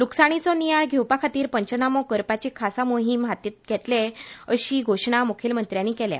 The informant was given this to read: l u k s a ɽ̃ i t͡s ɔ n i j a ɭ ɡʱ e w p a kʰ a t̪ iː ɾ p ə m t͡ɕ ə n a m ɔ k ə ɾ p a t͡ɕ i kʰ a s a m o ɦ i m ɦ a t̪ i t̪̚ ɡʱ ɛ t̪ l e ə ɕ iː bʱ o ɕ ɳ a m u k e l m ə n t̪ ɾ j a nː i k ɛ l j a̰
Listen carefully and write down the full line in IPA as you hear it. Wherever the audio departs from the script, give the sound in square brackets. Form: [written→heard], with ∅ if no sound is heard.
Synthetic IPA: l u k s a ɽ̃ i t͡s ɔ n i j a ɭ ɡʱ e w p a kʰ a t̪ iː ɾ p ə [m→ɲ] t͡ɕ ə n a m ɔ k ə ɾ p a t͡ɕ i kʰ a s a m o ɦ i m ɦ a t̪ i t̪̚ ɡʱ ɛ t̪ l e ə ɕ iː [bʱ→ɡʱ] o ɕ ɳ a m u [k→kʰ] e l m ə n t̪ ɾ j a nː i k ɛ l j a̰